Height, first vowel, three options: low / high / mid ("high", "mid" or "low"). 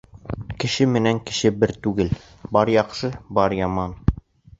mid